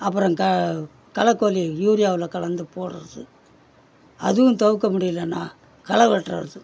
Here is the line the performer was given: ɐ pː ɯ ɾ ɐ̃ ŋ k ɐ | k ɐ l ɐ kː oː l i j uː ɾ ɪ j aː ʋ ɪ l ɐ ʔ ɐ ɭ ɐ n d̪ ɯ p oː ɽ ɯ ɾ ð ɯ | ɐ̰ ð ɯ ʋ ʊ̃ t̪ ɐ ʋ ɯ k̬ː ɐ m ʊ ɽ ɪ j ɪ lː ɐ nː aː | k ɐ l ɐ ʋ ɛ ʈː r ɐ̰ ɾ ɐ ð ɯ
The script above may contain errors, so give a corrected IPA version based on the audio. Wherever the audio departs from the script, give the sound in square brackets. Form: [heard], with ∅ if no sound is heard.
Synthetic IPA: ɐ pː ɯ ɾ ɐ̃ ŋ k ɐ | k ɐ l ɐ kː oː l i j uː ɾ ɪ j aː ʋ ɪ l ɐ [k] ɐ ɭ ɐ n d̪ ɯ p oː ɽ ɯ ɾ ð ɯ | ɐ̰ ð ɯ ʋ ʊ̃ t̪ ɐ ʋ ɯ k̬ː ɐ m ʊ ɽ ɪ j ɪ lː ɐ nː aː | k ɐ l ɐ ʋ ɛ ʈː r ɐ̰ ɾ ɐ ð ɯ